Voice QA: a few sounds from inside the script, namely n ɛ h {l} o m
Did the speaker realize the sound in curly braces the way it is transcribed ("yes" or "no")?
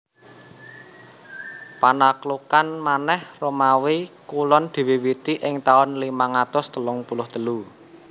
no